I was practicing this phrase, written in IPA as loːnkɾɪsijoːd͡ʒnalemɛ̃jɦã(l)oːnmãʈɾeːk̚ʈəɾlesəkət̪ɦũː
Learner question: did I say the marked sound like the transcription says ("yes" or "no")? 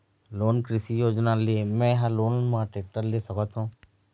yes